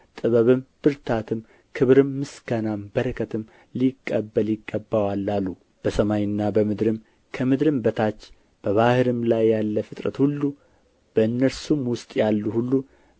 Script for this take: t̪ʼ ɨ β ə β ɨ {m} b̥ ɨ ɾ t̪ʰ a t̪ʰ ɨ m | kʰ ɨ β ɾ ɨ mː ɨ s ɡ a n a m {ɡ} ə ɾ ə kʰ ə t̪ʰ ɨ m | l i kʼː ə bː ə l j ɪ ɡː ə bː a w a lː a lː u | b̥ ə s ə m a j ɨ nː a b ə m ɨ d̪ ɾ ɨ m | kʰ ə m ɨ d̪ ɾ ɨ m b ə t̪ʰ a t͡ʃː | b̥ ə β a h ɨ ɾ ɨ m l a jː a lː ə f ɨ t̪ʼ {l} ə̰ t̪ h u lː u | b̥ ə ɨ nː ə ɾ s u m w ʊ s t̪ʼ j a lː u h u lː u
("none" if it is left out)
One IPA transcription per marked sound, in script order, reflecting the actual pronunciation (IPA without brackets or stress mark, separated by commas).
m, b, ɾ